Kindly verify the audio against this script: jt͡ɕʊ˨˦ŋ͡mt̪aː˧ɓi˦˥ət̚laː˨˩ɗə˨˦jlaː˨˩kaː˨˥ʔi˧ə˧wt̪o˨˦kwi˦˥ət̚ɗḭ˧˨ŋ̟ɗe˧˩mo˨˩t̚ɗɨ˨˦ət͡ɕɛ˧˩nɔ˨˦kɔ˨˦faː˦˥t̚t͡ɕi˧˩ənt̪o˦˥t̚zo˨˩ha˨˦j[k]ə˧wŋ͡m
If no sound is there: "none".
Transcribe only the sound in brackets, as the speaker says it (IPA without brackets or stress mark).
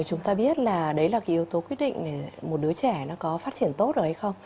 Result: x